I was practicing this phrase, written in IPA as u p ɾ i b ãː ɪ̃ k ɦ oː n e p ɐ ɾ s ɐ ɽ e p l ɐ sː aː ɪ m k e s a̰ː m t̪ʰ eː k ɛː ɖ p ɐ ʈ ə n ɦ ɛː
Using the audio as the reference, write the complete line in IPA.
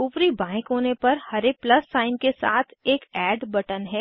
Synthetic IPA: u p ɾ i b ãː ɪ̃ k ɦ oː n e p ɐ ɾ h ɐ ɾ e p l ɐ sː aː ɪ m k e s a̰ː t̪ʰ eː k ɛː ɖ b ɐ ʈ ə n ɦ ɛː

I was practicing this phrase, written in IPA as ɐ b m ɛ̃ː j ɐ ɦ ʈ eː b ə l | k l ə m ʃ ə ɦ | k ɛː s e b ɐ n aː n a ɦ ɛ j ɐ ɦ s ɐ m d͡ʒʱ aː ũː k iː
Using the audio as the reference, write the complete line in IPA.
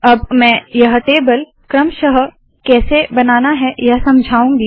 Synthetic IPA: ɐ b m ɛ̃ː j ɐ ɦ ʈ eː b ə l | k ɾ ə m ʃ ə ɦ | k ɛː s e b ɐ n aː n a ɦ ɛ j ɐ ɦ s ɐ m d͡ʒʱ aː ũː ɡ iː

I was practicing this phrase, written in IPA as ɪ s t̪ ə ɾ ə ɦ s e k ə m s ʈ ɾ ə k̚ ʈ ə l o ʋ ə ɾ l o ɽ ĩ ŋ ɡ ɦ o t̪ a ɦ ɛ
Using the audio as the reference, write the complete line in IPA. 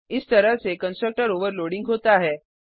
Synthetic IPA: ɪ s t̪ ə ɾ ə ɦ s e k ə n s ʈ ɾ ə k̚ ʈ ə ɾ o ʋ ə ɾ l o ɽ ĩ ŋ ɡ ɦ o t̪ a ɦ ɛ

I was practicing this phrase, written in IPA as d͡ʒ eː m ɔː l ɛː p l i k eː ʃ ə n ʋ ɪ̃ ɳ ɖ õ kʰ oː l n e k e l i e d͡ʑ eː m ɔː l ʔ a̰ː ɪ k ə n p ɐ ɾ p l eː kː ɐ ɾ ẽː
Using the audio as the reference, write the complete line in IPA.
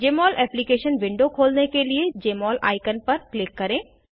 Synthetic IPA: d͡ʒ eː m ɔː l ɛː p l i k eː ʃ ə n ʋ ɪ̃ ɳ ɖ o kʰ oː l n e k e l i e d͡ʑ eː m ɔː l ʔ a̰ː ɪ k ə n p ɐ ɾ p l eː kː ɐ ɾ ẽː

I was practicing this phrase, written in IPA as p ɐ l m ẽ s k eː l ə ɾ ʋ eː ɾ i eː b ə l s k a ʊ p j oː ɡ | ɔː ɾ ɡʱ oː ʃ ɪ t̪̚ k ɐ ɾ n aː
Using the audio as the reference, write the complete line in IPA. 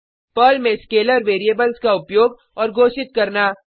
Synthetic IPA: p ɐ l m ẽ s k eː l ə ɾ ʋ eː ɾ i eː b ə l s k a ʊ p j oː ɡ | ɔː ɾ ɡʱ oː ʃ ɪ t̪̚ k ɐ ɾ n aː

